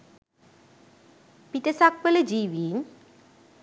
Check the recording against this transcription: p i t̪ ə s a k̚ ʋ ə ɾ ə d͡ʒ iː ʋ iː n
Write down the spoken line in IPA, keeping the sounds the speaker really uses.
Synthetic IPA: p i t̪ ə s a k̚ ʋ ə l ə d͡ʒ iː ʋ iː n